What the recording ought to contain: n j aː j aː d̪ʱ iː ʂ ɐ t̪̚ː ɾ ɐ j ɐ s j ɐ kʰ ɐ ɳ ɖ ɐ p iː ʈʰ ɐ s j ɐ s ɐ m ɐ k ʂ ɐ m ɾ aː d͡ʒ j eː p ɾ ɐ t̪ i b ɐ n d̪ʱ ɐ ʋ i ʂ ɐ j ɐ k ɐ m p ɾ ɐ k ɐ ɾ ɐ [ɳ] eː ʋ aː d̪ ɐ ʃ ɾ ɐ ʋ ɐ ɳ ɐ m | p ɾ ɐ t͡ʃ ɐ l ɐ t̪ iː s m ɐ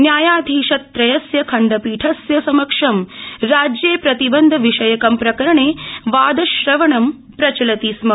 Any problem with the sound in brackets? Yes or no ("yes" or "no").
no